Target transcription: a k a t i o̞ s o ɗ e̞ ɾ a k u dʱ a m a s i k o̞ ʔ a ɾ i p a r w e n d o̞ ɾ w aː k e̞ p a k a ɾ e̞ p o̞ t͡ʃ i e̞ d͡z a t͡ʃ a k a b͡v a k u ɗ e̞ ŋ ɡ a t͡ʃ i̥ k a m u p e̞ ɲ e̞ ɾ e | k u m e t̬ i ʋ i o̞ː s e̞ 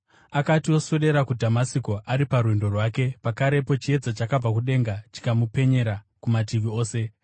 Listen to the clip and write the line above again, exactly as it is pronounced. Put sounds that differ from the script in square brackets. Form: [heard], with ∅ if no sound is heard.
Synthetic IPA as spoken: a k a t i o̞ s o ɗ e̞ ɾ a k u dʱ a m a s i k o̞ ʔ a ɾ i p a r w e n d o̞ [r] w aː k e̞ p a k a ɾ e̞ p o̞ t͡ʃ i e̞ d͡z a t͡ʃ a k a b͡v a k u ɗ e̞ ŋ ɡ a t͡ʃ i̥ k a m u p e̞ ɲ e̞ ɾ [a] | k u m [a] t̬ i ʋ i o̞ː s e̞